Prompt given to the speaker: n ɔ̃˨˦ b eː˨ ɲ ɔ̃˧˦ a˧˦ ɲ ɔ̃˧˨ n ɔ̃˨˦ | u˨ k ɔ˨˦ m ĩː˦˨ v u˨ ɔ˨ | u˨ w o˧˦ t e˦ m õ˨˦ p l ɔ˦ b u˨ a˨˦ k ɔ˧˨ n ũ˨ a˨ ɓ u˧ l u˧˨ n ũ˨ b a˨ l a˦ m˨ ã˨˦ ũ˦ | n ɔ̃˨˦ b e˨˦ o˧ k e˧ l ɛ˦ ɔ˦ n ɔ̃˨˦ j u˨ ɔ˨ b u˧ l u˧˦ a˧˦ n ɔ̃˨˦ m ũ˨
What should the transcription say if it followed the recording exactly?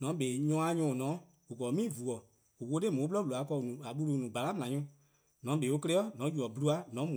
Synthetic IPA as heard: n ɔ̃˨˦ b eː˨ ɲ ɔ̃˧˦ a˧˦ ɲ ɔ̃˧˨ n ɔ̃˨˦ | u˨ k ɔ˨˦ m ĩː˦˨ v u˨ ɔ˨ | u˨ w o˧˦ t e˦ m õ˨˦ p l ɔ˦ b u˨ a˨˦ k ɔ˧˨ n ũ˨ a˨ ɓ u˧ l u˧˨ n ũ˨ ɡ͡b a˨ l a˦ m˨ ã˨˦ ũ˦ | n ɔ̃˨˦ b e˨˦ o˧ k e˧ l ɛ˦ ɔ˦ n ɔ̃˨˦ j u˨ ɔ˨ b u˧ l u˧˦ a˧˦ n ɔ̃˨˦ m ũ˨

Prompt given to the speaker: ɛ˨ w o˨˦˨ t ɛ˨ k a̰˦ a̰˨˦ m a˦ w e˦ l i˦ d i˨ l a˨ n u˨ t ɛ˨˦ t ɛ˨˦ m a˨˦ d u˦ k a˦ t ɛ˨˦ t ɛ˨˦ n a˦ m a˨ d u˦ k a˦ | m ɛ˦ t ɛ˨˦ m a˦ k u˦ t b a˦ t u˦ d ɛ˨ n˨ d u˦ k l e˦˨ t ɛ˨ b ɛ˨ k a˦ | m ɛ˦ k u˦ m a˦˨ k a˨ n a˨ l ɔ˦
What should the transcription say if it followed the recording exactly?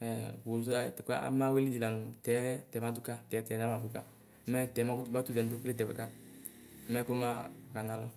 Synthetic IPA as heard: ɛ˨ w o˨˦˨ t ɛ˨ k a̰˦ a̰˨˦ m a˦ w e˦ l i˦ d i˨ l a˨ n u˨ t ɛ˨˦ t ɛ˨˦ m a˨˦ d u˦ k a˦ t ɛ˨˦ t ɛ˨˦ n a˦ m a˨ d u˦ k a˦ | m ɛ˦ t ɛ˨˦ m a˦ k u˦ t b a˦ t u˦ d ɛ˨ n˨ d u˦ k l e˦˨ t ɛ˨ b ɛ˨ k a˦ | m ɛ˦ k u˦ m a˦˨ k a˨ n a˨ l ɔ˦

